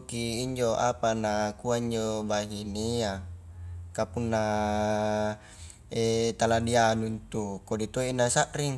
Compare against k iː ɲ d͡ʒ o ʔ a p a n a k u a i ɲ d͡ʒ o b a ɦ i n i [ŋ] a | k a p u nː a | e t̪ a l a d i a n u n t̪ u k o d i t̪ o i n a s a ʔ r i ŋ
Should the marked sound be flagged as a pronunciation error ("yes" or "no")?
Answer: yes